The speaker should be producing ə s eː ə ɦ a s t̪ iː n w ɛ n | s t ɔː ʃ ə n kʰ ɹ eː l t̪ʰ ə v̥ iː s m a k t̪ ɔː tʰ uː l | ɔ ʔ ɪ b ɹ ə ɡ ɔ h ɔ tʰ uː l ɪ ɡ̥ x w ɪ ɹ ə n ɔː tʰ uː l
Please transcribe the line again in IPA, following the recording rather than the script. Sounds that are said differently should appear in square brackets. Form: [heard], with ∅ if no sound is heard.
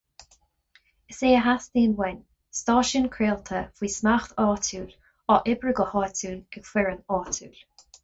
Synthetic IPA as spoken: ə s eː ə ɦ a s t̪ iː n w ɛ n | s t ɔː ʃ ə n kʰ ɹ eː l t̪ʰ ə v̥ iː s m a [x] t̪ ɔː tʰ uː l | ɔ ʔ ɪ b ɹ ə ɡ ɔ h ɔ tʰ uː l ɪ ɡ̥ [f] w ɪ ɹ ə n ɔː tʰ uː l